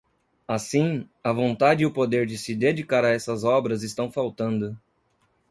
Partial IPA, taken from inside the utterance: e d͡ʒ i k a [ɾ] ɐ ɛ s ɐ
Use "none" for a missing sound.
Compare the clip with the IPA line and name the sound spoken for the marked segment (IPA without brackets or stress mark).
ɾ